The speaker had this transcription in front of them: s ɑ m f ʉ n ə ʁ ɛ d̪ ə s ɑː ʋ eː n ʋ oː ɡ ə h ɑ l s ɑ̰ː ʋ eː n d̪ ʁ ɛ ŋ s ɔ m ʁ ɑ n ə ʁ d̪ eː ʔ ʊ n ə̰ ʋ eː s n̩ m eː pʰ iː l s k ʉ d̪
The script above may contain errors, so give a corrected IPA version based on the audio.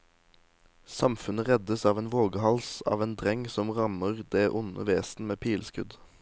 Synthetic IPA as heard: s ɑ m f ʉ n ə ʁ ɛ d̪ ə s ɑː ʋ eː n ʋ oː ɡ ə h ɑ l s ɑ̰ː ʋ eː n d̪ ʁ ɛ ŋ s ɔ m ʁ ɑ m ə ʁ d̪ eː ʔ ʊ n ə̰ ʋ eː s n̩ m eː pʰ iː l s k ʉ d̪